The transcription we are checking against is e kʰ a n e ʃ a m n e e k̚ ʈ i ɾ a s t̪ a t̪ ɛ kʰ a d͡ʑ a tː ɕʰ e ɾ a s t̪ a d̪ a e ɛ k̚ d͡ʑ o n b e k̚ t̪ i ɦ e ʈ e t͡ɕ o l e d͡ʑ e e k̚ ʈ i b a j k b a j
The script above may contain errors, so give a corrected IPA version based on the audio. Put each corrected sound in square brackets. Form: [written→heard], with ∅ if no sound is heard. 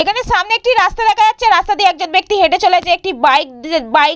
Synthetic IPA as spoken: e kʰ a n e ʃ a m n e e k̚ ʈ i ɾ a s t̪ a [t̪→d̪] ɛ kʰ a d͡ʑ a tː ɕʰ e ɾ a s t̪ a d̪ [a→i] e ɛ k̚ d͡ʑ o n b e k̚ t̪ i ɦ e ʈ e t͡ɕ o l e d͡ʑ e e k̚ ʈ i b a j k b a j